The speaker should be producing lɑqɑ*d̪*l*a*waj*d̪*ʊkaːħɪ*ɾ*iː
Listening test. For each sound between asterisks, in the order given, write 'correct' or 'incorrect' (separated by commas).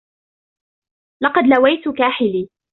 correct, correct, incorrect, incorrect